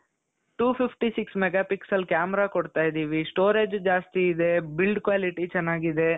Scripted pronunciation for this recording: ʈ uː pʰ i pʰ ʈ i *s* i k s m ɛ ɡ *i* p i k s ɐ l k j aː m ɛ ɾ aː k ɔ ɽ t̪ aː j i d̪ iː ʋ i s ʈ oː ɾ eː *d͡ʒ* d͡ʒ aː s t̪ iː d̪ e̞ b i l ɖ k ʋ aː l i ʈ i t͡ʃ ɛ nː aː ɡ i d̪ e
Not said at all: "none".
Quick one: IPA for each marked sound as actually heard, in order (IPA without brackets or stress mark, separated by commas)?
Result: s, a, d͡ʒ